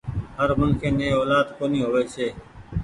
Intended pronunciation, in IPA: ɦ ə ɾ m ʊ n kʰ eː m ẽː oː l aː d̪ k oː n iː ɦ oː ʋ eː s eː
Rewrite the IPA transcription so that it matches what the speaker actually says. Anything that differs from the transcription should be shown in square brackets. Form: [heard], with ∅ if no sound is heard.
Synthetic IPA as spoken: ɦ ə ɾ m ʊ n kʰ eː m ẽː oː l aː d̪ k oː n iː ɦ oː ʋ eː s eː